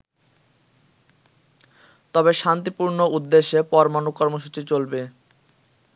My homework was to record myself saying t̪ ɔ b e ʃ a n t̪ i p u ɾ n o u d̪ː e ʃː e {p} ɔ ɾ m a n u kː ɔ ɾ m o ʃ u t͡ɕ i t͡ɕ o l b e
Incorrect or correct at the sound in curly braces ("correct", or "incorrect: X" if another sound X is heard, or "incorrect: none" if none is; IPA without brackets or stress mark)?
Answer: correct